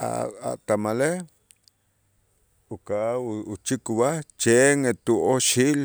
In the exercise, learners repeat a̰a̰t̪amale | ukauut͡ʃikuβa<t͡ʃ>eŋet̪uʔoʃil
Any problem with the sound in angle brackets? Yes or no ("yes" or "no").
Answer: no